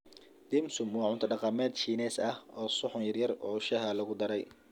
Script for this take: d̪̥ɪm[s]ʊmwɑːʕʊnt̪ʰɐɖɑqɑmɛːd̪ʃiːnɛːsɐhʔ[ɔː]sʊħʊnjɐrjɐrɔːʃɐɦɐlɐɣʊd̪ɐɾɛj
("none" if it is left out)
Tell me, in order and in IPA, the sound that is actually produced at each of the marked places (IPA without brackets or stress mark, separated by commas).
s, ɔː